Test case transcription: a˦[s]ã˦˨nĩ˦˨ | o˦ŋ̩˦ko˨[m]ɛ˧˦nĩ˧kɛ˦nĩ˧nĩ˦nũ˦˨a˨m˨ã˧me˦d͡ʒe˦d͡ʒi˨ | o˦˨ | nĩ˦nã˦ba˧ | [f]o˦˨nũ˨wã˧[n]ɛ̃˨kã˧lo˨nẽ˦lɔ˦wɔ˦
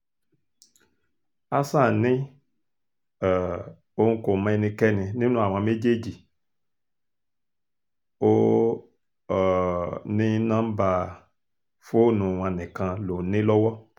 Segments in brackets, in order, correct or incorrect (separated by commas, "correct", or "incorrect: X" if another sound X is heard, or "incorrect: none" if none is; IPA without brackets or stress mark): correct, correct, correct, correct